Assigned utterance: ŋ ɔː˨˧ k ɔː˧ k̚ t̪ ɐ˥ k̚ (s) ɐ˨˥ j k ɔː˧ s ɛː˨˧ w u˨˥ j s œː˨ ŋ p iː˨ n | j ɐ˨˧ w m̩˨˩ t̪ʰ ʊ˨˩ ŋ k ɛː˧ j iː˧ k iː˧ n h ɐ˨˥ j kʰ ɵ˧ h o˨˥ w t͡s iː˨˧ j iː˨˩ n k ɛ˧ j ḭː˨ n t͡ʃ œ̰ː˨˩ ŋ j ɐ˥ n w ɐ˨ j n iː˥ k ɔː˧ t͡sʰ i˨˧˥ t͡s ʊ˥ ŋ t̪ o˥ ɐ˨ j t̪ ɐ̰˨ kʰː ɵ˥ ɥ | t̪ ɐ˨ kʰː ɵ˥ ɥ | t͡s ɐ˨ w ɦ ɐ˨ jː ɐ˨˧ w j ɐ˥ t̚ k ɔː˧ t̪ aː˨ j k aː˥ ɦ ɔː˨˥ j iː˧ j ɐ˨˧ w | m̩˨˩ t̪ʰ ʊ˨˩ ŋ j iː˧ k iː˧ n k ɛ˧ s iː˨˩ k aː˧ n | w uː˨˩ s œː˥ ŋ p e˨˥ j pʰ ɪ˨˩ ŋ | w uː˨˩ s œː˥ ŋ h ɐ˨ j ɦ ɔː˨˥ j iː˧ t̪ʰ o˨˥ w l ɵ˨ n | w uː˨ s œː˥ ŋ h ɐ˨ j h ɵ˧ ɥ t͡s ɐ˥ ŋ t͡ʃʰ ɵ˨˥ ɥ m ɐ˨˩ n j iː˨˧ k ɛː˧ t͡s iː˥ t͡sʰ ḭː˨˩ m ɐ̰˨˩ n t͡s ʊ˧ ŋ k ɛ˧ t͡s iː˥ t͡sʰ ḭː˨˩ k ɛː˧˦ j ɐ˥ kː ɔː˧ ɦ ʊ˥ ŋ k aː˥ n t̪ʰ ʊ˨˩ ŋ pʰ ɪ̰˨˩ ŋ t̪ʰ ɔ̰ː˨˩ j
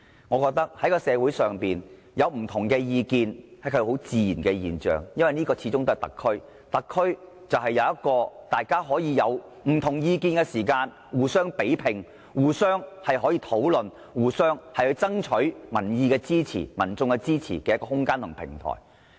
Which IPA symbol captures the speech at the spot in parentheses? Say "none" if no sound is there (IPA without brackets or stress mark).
h